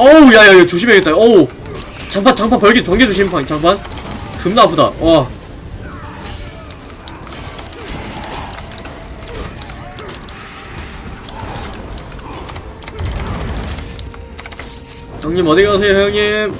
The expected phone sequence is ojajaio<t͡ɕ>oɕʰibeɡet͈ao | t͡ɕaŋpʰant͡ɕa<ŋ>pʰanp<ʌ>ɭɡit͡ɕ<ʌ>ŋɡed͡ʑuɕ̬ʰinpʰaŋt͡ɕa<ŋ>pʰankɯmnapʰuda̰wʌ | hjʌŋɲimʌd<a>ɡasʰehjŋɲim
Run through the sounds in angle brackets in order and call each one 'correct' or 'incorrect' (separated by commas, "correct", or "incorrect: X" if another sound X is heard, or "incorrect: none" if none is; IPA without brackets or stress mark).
correct, correct, correct, correct, correct, incorrect: i